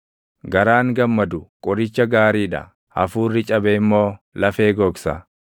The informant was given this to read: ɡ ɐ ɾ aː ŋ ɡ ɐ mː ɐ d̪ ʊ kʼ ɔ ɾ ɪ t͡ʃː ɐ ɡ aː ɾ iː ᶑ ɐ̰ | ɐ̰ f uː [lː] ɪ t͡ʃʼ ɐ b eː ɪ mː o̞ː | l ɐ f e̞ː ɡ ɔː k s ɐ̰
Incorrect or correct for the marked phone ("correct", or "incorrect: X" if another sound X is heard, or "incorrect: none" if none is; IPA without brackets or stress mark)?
incorrect: rː